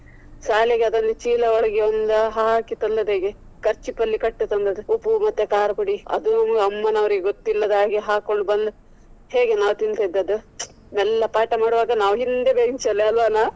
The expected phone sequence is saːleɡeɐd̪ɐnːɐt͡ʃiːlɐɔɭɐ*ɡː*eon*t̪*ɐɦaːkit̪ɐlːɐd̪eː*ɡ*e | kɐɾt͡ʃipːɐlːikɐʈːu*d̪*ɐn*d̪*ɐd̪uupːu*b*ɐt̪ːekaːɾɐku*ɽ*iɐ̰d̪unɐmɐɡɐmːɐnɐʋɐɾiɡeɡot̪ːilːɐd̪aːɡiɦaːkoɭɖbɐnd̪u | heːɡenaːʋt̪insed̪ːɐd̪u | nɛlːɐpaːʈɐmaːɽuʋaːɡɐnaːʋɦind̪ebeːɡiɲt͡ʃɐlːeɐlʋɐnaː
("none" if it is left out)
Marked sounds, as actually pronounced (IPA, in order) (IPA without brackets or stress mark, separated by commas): ɡ, d̪, ɡ, t̪, d̪, m, ɽ